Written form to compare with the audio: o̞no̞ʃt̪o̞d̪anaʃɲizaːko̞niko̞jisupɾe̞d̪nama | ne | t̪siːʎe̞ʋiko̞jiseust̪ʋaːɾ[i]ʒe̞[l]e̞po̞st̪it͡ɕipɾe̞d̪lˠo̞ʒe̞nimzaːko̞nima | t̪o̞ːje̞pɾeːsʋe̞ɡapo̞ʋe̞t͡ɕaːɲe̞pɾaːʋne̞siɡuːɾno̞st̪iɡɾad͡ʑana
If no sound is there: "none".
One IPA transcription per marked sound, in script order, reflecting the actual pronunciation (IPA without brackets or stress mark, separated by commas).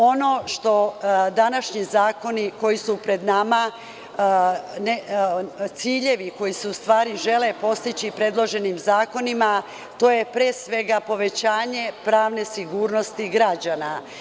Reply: i, l